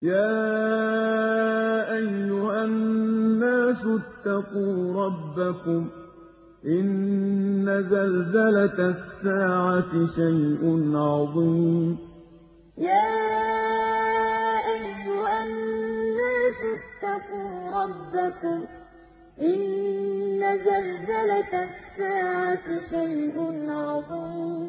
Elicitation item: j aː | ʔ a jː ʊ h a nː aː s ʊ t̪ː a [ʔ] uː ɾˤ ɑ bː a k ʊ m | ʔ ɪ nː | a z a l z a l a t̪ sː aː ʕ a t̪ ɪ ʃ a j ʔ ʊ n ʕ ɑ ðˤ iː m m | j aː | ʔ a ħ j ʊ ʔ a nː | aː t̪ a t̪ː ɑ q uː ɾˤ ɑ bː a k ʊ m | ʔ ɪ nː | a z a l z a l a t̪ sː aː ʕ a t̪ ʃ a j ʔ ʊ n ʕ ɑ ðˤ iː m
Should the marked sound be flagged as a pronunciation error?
yes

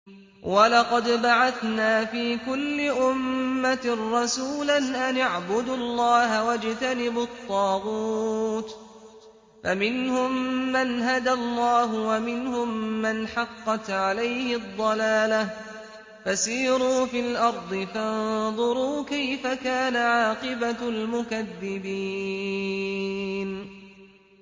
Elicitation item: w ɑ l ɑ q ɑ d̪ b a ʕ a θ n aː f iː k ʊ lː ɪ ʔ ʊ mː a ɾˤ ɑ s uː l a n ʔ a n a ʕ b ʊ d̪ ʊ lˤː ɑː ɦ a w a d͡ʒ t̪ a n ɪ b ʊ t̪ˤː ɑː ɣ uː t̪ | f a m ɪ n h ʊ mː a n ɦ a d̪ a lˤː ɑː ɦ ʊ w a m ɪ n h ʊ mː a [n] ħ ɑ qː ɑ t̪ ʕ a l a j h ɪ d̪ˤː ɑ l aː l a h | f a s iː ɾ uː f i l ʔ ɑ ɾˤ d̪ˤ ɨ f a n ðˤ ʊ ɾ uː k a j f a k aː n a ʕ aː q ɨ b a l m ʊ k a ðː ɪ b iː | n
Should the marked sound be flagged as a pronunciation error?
no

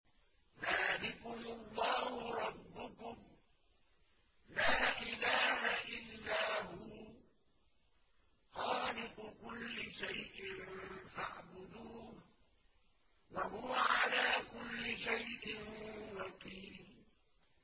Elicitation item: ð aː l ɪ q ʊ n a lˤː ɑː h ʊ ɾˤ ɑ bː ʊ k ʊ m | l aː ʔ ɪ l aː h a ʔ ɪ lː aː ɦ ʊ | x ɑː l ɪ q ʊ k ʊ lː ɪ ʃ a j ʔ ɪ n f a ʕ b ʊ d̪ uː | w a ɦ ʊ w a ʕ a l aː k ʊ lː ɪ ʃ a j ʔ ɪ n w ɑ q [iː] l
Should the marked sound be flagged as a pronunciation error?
no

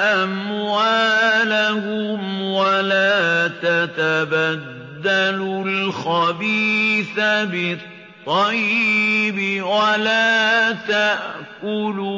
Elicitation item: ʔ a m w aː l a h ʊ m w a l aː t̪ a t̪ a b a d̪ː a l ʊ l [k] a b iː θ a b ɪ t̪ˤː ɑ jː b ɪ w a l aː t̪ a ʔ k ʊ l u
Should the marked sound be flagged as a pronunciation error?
yes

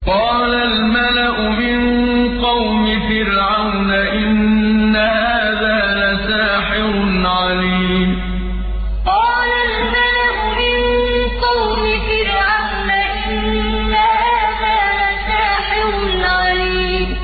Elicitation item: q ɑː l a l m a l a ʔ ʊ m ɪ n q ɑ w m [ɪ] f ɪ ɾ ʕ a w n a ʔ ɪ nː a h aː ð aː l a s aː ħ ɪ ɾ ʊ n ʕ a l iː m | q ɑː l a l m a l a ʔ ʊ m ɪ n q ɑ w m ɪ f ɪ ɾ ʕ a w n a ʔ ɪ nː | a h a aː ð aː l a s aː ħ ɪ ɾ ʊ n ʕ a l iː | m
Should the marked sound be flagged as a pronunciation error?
no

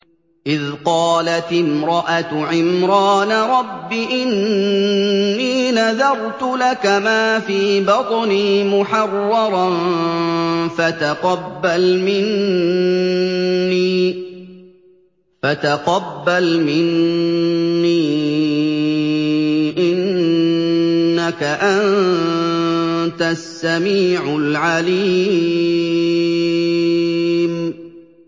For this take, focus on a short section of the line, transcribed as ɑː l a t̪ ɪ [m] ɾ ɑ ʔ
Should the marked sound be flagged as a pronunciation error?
no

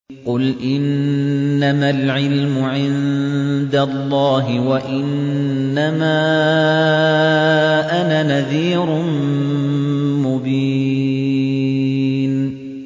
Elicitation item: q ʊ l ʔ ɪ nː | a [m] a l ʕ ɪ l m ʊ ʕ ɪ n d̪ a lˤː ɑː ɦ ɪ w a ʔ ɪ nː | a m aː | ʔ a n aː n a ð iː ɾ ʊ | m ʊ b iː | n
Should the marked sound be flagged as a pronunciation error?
no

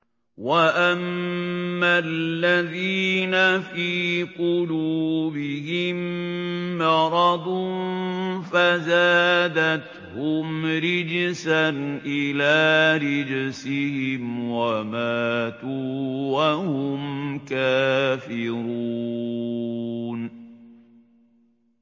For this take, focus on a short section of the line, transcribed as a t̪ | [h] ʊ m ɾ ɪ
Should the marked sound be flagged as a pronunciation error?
no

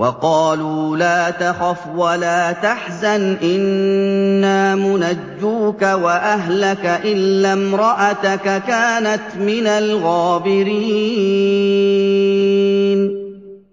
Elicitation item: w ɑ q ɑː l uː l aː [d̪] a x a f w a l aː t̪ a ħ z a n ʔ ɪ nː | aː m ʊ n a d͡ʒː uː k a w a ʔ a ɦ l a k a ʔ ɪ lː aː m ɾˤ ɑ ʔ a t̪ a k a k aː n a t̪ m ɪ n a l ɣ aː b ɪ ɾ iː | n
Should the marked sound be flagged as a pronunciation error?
yes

